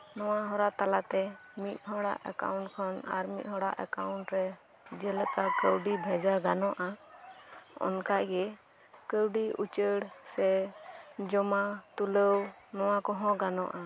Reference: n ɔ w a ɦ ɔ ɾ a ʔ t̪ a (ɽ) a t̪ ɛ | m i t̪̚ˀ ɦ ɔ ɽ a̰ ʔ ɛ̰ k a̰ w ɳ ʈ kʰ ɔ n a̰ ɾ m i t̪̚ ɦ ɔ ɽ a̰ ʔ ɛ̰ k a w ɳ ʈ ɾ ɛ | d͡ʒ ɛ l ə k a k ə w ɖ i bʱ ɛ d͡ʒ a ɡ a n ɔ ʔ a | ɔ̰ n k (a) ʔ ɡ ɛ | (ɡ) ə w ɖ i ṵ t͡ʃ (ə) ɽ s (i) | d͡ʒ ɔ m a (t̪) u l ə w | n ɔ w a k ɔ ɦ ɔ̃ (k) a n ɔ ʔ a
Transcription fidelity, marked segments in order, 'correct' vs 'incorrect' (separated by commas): incorrect, correct, incorrect, correct, incorrect, correct, incorrect